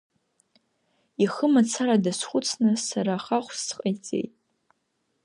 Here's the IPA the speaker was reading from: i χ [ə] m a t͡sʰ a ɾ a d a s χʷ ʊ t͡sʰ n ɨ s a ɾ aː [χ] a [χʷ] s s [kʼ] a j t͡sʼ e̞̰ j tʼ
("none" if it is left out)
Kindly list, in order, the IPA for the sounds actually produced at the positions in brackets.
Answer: ə, χ, χʷ, qʼ

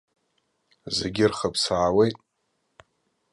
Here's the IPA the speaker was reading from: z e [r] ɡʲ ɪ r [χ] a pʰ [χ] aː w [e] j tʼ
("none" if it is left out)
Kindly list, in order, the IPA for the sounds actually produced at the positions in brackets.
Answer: none, χ, s, e

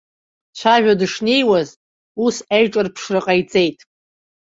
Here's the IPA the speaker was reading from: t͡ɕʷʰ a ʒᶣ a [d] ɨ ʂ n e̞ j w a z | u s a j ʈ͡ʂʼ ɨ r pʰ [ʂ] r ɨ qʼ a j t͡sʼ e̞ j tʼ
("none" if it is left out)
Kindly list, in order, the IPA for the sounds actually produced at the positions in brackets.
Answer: d, ʂ

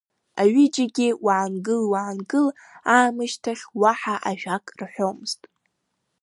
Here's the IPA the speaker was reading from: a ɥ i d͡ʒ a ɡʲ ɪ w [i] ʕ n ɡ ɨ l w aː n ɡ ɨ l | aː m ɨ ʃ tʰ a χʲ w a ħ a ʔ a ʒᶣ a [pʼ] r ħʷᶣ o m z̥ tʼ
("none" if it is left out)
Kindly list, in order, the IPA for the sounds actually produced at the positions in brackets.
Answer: a, kʼ

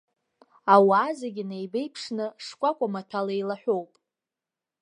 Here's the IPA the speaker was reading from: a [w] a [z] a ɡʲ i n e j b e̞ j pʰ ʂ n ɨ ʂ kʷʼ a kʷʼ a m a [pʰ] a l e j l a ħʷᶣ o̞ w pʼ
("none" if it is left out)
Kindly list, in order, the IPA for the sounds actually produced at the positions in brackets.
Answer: w, z, tʰ

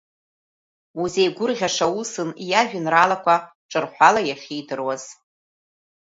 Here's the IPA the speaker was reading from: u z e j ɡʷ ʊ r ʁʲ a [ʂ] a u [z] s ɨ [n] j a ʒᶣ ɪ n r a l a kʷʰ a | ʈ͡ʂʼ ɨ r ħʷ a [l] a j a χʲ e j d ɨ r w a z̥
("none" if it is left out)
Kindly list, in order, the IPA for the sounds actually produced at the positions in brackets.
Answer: ʂ, none, n, l

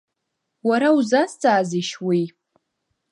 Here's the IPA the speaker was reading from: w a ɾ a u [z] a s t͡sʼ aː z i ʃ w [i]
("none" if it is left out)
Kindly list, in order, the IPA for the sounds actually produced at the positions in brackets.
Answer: z, i

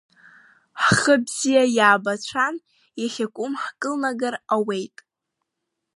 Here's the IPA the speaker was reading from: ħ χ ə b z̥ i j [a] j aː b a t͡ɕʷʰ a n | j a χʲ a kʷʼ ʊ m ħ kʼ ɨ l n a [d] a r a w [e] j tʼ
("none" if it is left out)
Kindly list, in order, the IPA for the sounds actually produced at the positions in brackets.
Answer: a, ɡ, e

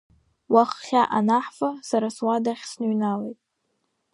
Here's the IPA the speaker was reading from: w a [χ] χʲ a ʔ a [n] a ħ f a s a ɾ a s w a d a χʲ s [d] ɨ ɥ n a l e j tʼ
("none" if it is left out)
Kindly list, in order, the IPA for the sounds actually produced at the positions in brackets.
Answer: χ, n, n

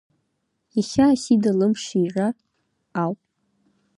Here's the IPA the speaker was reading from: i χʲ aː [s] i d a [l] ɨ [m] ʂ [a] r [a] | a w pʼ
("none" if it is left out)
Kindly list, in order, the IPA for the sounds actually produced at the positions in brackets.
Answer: s, l, m, i, a

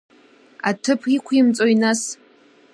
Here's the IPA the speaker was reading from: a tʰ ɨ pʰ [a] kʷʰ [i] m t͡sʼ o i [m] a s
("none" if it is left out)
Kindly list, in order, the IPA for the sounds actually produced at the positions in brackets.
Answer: i, i, n

